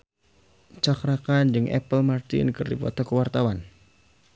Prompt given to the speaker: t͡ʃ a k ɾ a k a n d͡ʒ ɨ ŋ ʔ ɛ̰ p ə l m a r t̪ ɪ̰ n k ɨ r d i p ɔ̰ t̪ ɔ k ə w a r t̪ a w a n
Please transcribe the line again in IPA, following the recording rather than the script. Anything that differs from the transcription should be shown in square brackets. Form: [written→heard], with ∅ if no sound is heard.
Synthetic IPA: t͡ʃ a k ɾ a k a n d͡ʒ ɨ ŋ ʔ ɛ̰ p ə l m a r t̪ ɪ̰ n k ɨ r d i p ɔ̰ t̪ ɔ k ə w a r t̪ a w a n

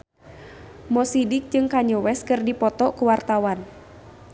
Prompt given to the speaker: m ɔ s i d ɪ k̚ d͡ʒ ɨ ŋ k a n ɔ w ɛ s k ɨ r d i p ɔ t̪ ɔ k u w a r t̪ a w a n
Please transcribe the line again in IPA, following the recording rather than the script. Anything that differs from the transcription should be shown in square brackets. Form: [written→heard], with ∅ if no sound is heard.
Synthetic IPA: m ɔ s i d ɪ k̚ d͡ʒ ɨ ŋ k a [n→ɲ] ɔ w ɛ s k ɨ r d i p ɔ t̪ ɔ k u w a r t̪ a w a n

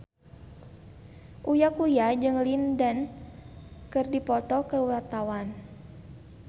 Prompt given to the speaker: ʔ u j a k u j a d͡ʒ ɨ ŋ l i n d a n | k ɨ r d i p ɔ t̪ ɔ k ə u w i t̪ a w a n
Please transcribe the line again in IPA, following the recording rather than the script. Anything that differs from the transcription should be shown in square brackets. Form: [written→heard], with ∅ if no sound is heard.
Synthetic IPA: ʔ u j a k u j a d͡ʒ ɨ ŋ l i n d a n | k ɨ r d i p ɔ t̪ ɔ k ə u w [i→a] t̪ a w a n

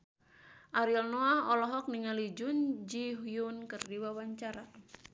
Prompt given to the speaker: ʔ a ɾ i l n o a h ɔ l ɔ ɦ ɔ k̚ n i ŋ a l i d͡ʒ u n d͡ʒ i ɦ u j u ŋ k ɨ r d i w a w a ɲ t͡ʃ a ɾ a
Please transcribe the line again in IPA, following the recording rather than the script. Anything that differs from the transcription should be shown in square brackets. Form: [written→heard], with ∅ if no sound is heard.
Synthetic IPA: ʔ a ɾ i l n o a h ɔ l ɔ ɦ ɔ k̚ n i ŋ a l i d͡ʒ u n d͡ʒ i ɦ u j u [ŋ→n] k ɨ r d i w a w a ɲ t͡ʃ a ɾ a

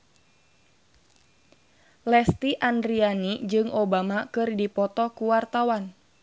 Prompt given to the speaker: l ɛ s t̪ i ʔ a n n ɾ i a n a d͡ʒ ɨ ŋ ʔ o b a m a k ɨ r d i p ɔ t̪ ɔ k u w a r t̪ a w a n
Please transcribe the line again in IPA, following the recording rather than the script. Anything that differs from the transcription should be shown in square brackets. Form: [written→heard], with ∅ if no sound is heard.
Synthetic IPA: l ɛ s t̪ i ʔ a n [n→d] ɾ i a n [a→i] d͡ʒ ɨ ŋ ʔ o b a m a k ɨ r d i p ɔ t̪ ɔ k u w a r t̪ a w a n

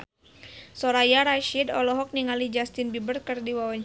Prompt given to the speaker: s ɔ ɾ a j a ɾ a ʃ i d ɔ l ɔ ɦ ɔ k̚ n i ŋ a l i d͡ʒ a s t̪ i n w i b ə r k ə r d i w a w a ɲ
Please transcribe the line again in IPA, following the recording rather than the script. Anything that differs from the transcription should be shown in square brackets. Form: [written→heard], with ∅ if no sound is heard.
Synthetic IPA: s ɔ ɾ a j a ɾ a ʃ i d ɔ l ɔ ɦ ɔ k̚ n i ŋ a l i d͡ʒ a s t̪ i n [w→b] i b ə r k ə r d i w a w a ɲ

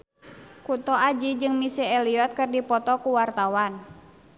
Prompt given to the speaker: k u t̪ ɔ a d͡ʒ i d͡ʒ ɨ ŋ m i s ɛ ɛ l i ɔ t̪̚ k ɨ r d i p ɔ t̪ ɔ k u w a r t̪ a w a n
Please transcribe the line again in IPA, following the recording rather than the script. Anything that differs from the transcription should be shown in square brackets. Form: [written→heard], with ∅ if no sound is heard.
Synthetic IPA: k u t̪ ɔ a d͡ʒ i d͡ʒ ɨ ŋ m i s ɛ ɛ l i ɔ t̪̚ k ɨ r d i p ɔ t̪ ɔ k u w a r t̪ a w a n

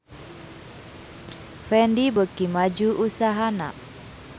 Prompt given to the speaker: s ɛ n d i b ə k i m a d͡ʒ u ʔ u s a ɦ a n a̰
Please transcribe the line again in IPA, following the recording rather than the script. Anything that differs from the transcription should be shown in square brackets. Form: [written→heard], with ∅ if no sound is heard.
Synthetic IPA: [s→f] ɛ n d i b ə k i m a d͡ʒ u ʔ u s a ɦ a n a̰

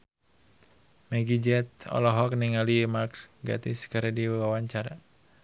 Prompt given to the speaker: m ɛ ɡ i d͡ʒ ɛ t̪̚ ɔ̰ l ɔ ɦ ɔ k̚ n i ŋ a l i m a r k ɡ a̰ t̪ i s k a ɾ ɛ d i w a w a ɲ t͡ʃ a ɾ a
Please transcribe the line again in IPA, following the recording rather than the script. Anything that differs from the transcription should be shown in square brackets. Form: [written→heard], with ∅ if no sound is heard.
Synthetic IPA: m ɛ ɡ i d͡ʒ ɛ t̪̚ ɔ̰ l ɔ ɦ ɔ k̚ n i ŋ a l i m a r k ɡ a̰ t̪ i s k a ɾ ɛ d i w a w a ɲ t͡ʃ a ɾ a

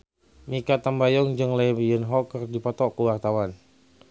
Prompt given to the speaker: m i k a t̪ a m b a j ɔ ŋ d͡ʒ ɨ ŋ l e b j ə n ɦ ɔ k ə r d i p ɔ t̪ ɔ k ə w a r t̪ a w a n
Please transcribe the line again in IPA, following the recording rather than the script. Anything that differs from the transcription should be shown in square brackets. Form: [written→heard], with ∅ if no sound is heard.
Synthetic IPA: m i k a t̪ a m b a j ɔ ŋ d͡ʒ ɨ ŋ l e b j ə n ɦ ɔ k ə r d i p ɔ t̪ ɔ k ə w a r t̪ a w a n

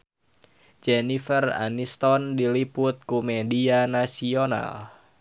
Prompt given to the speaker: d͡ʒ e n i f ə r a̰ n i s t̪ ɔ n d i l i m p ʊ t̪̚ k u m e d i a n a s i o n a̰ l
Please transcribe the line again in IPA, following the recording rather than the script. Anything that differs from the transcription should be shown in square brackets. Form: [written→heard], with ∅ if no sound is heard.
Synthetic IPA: d͡ʒ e n i f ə r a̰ n i s t̪ ɔ n d i l i [m→∅] p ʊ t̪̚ k u m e d i a n a s i o n a̰ l

